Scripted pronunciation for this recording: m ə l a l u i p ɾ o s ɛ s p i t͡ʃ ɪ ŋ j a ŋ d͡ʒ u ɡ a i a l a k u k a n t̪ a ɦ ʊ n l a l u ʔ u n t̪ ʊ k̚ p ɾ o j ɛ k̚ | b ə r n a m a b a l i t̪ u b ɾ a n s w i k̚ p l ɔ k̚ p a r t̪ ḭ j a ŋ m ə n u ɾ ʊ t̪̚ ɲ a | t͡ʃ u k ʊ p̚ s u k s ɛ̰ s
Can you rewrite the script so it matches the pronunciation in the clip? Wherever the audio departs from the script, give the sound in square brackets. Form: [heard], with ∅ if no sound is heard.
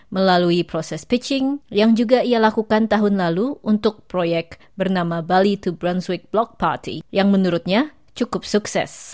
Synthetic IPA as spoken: m ə l a l u i p ɾ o s ɛ s p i t͡ʃ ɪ ŋ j a ŋ d͡ʒ u ɡ a i a l a k u k a n t̪ a ɦ ʊ n l a l u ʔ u n t̪ ʊ k̚ p ɾ o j ɛ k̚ | b ə r n a m a b a l i t̪ u b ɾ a n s w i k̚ [b] l ɔ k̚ p a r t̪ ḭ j a ŋ m ə n u ɾ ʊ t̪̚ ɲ a | t͡ʃ u k ʊ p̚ s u k s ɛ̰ s

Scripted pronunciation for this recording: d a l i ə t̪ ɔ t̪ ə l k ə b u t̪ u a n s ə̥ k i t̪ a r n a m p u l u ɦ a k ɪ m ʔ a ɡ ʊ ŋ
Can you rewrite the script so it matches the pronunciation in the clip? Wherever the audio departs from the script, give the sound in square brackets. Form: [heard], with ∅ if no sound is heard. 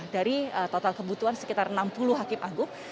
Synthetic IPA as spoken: d a [ɾ] i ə t̪ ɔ t̪ [a] l k ə b u t̪ u a n s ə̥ k i t̪ a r n a m p u l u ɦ a k ɪ m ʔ a ɡ ʊ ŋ

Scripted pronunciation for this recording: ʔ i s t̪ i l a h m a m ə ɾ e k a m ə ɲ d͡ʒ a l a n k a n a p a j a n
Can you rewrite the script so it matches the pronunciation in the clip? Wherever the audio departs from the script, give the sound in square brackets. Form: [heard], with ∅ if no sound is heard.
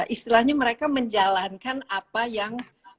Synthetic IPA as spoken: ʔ i s t̪ i l a h [ɲ] a m ə ɾ e k a m ə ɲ d͡ʒ a l a n k a n a p a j a [ŋ]

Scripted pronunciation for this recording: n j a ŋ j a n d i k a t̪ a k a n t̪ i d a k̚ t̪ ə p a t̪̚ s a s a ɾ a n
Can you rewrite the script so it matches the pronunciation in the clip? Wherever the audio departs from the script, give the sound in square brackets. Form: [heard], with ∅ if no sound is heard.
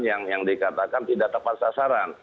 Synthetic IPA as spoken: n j a ŋ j a [ŋ] d i k a t̪ a k a n t̪ i d a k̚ t̪ ə p a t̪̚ s a s a ɾ a n

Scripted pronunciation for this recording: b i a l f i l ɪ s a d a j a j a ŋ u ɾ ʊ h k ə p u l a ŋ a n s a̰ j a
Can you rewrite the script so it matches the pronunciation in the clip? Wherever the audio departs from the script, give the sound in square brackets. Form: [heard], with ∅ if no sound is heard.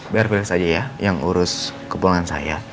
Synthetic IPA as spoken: b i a [r] f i l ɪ s a [d͡ʒ] a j a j a ŋ u ɾ ʊ [s] k ə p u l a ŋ a n s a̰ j a

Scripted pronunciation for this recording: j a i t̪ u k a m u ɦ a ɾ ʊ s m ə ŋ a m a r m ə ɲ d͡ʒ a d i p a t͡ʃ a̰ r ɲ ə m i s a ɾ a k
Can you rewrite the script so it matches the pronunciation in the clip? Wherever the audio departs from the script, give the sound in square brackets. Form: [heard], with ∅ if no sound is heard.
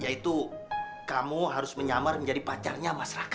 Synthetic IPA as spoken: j a i t̪ u k a m u ɦ a ɾ ʊ s m ə [ɲ] a m a r m ə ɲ d͡ʒ a d i p a t͡ʃ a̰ r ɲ [a] m [a] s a ɾ a k

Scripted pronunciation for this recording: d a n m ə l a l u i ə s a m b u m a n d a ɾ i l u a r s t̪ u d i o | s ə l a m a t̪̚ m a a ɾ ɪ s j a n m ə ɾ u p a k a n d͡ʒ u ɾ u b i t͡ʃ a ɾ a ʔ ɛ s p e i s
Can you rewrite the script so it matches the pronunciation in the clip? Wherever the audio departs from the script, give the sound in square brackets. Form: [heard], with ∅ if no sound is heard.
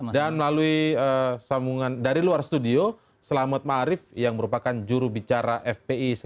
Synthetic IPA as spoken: d a n m ə l a l u i ə s a m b u [ŋ] a n d a ɾ i l u a r s t̪ u d i o | s ə l a m a t̪̚ m a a ɾ ɪ [f] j a [ŋ] m ə ɾ u p a k a n d͡ʒ u ɾ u b i t͡ʃ a ɾ a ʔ ɛ [f] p e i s

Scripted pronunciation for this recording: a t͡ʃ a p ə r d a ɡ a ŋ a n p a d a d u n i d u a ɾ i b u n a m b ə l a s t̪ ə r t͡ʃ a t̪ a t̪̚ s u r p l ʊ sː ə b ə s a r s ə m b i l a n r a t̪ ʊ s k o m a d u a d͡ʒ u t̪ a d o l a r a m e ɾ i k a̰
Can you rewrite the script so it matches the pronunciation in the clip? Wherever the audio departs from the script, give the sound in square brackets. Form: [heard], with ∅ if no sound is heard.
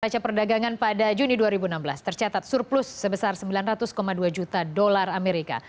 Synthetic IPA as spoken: a t͡ʃ a p ə r d a ɡ a ŋ a n p a d a [d͡ʒ] u n i d u a ɾ i b u n a m b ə l a s t̪ ə r t͡ʃ a t̪ a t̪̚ s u r p l ʊ sː ə b ə s a r s ə m b i l a n r a t̪ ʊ s k o m a d u a d͡ʒ u t̪ a d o l a r a m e ɾ i k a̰

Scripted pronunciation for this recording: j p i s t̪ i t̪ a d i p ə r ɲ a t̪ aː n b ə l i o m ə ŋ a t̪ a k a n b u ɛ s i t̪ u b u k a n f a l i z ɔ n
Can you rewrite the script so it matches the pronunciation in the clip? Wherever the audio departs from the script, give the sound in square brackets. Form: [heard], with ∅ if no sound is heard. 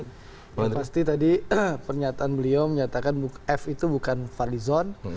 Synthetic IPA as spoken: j p [a] s t̪ i t̪ a d i p ə r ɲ a t̪ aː n b ə l i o m ə [ɲ] a t̪ a k a n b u ɛ [f] i t̪ u b u k a n f a l i z ɔ n

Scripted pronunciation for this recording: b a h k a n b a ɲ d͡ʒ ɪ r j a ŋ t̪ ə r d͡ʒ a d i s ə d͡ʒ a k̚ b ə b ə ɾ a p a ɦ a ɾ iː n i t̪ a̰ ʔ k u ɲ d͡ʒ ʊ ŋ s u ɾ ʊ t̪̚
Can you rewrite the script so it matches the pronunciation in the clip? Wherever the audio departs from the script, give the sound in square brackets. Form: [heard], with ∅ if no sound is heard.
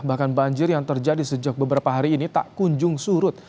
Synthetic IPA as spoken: b a h k a n b a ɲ d͡ʒ ɪ r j a ŋ t̪ ə r d͡ʒ a d i s ə d͡ʒ a k̚ b ə b ə ɾ a p a ɦ a ɾ iː n i t̪ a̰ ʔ k u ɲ d͡ʒ ʊ ŋ s u ɾ ʊ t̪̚

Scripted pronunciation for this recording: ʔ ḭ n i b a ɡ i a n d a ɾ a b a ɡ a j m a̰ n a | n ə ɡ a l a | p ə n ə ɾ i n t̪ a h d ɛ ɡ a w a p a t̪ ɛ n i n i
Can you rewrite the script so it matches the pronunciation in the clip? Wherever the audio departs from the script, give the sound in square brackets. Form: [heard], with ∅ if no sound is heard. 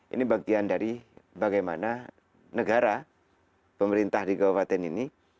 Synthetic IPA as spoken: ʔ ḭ n i b a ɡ i a n d a ɾ [i] b a ɡ a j m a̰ n a | n ə ɡ a [ɾ] a | p ə [m] ə ɾ i n t̪ a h d [i] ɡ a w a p a t̪ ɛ n i n i

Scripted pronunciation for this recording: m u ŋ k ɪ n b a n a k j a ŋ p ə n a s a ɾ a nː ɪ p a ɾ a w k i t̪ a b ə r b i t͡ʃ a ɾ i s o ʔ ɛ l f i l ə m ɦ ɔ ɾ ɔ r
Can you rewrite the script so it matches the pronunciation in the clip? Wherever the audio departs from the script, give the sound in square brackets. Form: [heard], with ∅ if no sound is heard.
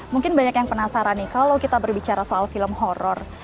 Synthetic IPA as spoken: m u ŋ k ɪ n b a [ɲ] a k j a ŋ p ə n a s a ɾ a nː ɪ [k] a [l] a w k i t̪ a b ə r b i t͡ʃ a ɾ [a] s o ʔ [a] l f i l ə m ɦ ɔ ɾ ɔ r

